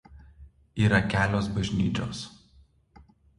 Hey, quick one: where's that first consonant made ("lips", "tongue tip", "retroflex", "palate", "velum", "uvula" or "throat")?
tongue tip